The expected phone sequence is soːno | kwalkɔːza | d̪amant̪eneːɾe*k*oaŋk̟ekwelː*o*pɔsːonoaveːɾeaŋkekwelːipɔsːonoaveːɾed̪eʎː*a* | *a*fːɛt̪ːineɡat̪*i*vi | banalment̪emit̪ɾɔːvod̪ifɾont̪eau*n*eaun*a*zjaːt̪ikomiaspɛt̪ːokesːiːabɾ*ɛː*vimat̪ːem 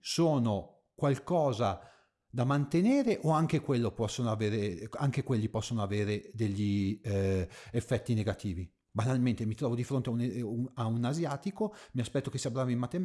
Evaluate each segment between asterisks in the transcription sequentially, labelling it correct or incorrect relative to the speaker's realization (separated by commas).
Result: incorrect, correct, incorrect, incorrect, incorrect, correct, correct, incorrect